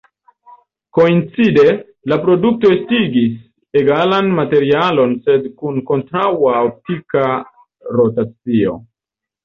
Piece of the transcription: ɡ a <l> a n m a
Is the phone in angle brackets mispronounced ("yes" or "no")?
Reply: no